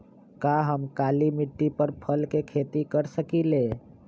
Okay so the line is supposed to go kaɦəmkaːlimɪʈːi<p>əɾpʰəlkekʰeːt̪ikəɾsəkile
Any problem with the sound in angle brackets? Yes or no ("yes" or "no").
no